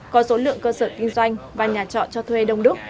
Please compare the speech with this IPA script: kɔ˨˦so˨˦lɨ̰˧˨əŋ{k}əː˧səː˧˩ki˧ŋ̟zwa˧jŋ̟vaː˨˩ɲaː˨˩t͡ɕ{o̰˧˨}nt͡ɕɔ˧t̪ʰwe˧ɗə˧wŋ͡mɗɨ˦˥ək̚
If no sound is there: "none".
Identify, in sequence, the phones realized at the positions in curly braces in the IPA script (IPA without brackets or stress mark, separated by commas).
k, ɔ̰˧˨